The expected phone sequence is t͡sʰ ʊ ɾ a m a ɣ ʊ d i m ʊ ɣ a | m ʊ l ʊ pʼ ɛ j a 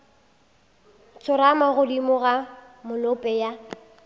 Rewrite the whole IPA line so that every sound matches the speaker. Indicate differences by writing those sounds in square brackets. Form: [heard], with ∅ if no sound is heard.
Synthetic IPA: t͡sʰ ʊ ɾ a m a ɣ ʊ d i m ʊ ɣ a | m ʊ l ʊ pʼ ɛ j a